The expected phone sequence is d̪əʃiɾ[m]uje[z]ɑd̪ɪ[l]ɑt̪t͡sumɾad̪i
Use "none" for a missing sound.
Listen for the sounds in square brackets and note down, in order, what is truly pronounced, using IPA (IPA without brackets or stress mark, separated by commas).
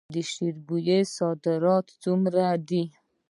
b, s, ɾ